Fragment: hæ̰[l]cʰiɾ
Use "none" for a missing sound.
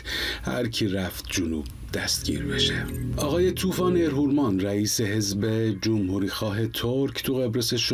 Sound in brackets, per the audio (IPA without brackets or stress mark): ɾ